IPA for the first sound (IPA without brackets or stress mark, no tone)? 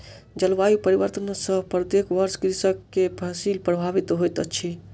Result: d͡ʒ